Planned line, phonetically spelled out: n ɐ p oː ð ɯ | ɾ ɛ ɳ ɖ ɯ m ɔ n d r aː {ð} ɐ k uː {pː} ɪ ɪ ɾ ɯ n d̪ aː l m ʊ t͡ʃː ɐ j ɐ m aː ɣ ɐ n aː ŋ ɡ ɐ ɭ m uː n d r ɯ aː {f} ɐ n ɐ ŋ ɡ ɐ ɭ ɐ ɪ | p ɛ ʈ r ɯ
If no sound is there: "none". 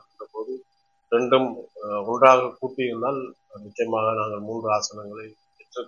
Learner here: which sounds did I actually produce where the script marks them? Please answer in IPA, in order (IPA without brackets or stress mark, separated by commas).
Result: ɣ, ʈː, s